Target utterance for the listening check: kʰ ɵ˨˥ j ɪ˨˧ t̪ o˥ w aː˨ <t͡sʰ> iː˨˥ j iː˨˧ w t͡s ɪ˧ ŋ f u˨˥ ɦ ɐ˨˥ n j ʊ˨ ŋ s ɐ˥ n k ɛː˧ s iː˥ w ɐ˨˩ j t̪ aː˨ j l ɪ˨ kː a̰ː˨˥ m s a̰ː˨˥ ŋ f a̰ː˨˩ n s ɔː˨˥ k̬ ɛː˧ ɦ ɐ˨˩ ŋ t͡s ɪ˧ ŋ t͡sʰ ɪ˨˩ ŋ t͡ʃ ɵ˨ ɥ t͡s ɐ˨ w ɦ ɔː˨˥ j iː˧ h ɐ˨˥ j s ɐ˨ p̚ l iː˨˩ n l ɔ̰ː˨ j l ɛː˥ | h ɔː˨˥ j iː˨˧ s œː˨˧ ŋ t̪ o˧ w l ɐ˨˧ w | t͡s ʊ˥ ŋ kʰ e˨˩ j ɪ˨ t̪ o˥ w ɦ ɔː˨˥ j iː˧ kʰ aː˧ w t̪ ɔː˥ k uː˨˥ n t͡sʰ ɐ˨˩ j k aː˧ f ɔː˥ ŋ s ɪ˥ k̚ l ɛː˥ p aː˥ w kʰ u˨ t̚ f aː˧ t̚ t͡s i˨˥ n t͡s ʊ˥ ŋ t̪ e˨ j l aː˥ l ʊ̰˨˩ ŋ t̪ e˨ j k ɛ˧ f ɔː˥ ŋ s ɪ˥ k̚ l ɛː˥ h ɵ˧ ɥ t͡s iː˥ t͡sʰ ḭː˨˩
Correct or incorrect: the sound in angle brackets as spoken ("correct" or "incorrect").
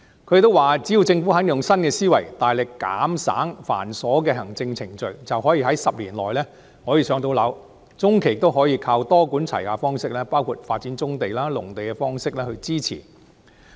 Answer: incorrect